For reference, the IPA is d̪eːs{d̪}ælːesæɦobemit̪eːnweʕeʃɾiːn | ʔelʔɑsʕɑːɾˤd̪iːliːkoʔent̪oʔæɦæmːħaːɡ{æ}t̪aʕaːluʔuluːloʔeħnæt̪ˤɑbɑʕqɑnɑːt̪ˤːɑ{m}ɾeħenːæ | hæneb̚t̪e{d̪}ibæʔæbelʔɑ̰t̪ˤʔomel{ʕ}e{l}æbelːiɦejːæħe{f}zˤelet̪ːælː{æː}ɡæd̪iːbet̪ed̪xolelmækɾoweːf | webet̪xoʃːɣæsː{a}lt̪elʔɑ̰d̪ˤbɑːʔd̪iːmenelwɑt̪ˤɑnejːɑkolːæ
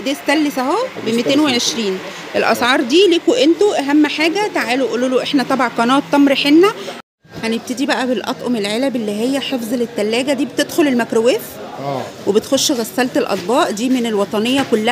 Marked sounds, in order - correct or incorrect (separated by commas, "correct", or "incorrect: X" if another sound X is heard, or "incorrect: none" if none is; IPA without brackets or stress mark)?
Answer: incorrect: t̪, correct, correct, correct, correct, correct, correct, correct, incorrect: æ